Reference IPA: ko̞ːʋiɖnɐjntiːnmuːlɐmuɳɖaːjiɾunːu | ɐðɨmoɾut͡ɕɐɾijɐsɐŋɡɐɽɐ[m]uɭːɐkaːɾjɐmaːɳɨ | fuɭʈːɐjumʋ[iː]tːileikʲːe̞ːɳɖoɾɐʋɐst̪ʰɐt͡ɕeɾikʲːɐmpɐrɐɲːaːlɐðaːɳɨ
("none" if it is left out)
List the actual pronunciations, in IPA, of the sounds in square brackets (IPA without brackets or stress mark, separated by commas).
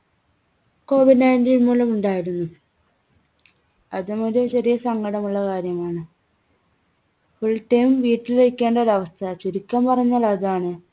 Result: m, iː